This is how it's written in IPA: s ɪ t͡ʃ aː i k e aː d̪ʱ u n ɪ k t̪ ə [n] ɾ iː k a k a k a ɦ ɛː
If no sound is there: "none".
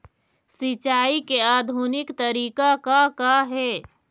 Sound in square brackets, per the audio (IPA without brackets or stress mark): none